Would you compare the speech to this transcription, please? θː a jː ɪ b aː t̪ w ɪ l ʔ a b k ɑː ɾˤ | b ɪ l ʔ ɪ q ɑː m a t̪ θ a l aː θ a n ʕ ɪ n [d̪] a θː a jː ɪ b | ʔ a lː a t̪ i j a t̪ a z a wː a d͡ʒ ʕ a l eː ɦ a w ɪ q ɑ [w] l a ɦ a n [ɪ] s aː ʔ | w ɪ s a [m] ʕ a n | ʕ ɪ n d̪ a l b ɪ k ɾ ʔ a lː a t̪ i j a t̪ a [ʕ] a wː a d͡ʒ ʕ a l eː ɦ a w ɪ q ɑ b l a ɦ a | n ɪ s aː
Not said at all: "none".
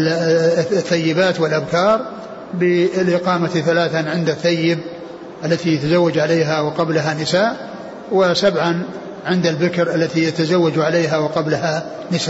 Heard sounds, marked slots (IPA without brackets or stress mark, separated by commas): d̪, b, ɪ, b, z